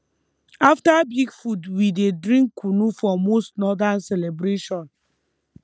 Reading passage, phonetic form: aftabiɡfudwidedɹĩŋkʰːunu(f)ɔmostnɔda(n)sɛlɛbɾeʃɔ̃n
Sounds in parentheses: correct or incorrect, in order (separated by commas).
correct, correct